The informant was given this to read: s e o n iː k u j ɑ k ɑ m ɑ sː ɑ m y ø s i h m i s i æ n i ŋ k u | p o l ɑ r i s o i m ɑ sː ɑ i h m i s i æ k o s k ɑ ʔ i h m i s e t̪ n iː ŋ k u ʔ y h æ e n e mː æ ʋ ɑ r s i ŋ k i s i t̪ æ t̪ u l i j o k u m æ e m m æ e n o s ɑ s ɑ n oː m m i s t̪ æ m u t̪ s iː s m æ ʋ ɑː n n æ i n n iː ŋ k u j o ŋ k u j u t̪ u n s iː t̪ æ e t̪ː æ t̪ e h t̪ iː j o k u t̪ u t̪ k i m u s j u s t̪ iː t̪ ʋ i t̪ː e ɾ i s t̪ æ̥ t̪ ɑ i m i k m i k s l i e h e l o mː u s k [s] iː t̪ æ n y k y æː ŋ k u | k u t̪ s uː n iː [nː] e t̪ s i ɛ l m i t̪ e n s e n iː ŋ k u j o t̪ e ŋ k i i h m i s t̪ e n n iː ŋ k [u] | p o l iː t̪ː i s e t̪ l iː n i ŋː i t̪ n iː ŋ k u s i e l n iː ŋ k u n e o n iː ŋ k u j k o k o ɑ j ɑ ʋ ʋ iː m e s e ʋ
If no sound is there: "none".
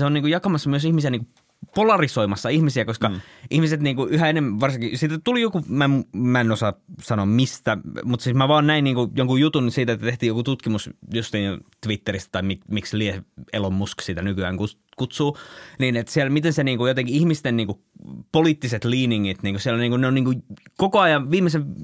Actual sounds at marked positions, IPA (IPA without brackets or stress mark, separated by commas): s, n, u